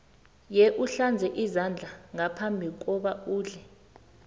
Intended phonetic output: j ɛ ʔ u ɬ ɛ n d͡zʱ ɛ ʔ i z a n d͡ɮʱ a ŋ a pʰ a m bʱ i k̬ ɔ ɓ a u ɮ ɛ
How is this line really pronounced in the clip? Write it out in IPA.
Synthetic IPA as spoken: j ɛ ʔ u ɬ a n d͡zʱ ɛ ʔ i z a n d͡ɮʱ a ŋ a pʰ a m bʱ i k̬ ɔ ɓ a uː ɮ ɛ